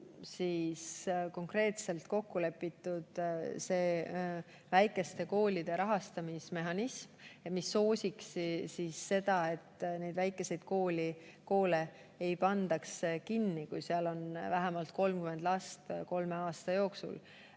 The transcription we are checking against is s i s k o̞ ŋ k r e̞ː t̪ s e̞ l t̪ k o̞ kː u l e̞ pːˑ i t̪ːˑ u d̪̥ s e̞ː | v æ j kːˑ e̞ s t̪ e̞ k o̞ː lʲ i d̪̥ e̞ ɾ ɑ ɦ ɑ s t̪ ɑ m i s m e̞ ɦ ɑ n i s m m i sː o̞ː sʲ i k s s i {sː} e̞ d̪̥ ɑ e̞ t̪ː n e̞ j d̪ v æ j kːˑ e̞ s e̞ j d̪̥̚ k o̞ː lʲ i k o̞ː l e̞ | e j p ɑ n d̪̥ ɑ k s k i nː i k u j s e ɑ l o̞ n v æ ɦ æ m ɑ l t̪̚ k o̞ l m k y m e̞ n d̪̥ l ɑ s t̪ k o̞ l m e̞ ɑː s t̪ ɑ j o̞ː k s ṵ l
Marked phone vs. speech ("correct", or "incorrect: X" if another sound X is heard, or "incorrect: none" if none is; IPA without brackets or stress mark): correct